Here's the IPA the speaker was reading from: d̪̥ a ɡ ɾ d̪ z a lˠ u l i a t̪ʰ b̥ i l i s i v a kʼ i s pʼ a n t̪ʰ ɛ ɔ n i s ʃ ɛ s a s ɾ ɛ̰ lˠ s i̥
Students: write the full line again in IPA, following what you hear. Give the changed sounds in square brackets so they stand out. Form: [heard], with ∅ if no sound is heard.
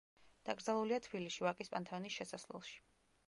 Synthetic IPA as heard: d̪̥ a ɡ ɾ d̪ z a lˠ u l i a t̪ʰ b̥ i l i [ʃ] i v a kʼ i s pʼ a n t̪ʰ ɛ ɔ n i s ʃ ɛ s a s [l] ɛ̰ lˠ [ʃ] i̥